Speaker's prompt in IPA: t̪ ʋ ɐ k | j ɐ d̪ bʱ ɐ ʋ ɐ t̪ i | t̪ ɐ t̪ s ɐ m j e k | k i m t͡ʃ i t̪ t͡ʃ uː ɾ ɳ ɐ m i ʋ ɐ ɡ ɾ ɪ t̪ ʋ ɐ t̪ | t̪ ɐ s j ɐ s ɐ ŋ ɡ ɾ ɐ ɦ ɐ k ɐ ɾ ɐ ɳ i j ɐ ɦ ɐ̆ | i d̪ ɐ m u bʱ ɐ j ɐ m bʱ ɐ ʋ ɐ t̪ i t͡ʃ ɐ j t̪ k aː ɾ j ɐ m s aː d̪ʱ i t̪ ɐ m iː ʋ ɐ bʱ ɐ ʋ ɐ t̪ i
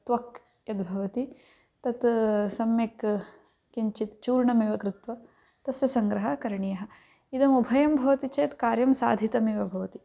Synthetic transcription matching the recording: t̪ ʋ ɐ k | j ɐ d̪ bʱ ɐ ʋ ɐ t̪ i | t̪ ɐ t̪ s ɐ m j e k | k i ɲ t͡ʃ i t̪ t͡ʃ uː ɾ ɳ ɐ m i ʋ ɐ k ɾ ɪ t̪ ʋ ɐ | t̪ ɐ s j ɐ s ɐ ŋ ɡ ɾ ɐ ɦ ɐ k ɐ ɾ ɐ ɳ i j ɐ ɦ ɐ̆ | i d̪ ɐ m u bʱ ɐ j ɐ m bʱ ɐ ʋ ɐ t̪ i t͡ʃ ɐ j t̪ k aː ɾ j ɐ m s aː d̪ʱ i t̪ ɐ m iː ʋ ɐ bʱ ɐ ʋ ɐ t̪ i